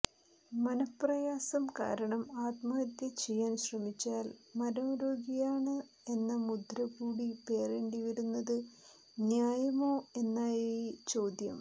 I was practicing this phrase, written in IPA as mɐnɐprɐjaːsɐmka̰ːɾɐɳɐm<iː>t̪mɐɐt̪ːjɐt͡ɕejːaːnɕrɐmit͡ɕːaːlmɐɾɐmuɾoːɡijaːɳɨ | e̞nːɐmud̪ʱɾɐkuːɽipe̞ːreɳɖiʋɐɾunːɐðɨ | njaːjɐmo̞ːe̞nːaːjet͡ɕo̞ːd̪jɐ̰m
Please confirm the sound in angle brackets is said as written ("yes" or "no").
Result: no